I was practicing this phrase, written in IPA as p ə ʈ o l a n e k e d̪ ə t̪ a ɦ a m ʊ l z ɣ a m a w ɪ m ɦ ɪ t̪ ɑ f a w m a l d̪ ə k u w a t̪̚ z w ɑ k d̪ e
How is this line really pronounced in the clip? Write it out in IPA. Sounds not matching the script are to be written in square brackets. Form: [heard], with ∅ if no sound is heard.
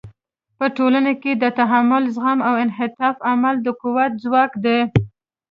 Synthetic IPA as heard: p ə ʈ o l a n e k e d̪ ə t̪ a ɦ a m ʊ l z ɣ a m a w ɪ [n] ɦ ɪ t̪ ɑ f a [∅] m a l d̪ ə k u w a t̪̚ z w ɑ k d̪ e